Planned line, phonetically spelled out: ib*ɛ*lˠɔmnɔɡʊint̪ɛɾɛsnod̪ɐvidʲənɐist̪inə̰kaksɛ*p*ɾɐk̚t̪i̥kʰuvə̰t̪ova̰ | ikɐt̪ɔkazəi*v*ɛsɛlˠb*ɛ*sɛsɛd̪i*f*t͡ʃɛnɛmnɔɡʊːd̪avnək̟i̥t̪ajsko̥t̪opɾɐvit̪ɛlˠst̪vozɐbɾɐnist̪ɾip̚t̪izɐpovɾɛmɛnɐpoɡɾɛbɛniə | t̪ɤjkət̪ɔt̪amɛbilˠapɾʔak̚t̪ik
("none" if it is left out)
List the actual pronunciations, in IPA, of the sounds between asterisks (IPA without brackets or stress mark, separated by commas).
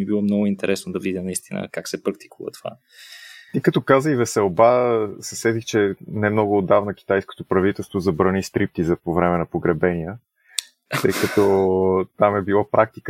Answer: i, p, v, a, x